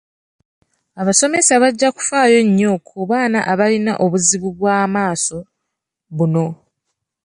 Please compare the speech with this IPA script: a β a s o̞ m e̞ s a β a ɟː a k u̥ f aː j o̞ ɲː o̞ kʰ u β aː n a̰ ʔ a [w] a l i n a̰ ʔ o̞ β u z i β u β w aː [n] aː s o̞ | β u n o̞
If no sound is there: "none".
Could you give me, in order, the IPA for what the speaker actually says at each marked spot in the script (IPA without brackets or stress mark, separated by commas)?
β, m